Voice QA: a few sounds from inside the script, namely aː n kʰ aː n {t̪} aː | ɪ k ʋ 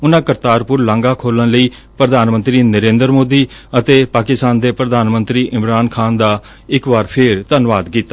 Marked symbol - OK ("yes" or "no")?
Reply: no